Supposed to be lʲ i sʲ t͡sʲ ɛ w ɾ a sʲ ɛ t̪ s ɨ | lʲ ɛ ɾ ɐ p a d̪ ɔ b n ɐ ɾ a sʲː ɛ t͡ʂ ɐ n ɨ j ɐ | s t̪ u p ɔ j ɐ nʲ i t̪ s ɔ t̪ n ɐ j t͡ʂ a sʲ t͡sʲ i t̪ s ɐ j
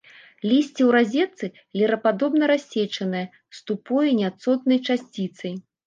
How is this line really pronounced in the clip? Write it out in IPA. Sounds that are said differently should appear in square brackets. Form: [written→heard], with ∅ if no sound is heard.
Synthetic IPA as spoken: lʲ i sʲ t͡sʲ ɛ w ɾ a [sʲ→zʲ] ɛ t̪ s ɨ | lʲ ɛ ɾ ɐ p a d̪ ɔ b n ɐ ɾ a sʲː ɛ t͡ʂ ɐ n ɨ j ɐ | s t̪ u p ɔ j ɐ nʲ [i→a] t̪ s ɔ t̪ n ɐ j t͡ʂ a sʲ t͡sʲ i t̪ s ɐ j